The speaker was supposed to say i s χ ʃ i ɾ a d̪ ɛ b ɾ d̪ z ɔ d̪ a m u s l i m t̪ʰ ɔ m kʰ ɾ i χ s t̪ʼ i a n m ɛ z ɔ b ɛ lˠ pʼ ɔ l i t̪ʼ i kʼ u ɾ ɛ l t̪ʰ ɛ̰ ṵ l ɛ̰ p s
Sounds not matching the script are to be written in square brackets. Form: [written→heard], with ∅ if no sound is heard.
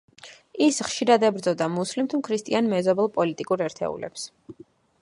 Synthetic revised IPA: i s χ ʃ i ɾ a d̪ ɛ b ɾ d̪ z ɔ d̪ a m u s l i m t̪ʰ [ɔ→u] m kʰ ɾ i [χ→∅] s t̪ʼ i a n m ɛ z ɔ b ɛ lˠ pʼ ɔ l i t̪ʼ i kʼ u ɾ ɛ [l→ɾ] t̪ʰ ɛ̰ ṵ l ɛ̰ p s